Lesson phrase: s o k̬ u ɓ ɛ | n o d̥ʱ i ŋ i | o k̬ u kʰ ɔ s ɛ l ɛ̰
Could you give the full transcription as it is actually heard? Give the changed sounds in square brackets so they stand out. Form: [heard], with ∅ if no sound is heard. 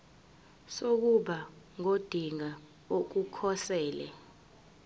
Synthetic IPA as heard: s o k̬ u ɓ [a] | [ŋ] o d̥ʱ i ŋ [a] | o k̬ u kʰ ɔ s [ɛː] l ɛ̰